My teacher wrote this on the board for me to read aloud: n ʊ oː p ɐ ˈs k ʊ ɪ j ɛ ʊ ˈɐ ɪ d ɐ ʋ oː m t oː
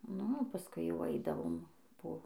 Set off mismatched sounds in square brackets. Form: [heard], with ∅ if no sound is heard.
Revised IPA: n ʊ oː p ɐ ˈs k ʊ ɪ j ɛ ʊ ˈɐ ɪ d ɐ ʋ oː m [p] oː